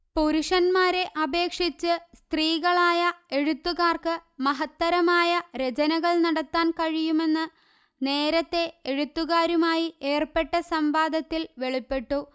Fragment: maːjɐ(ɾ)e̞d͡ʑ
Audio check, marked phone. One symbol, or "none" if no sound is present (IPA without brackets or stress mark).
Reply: ɾ